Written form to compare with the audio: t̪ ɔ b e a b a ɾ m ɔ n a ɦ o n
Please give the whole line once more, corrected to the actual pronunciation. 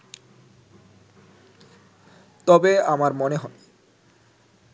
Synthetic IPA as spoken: t̪ ɔ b e a m a ɾ m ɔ n e ɦ ɔ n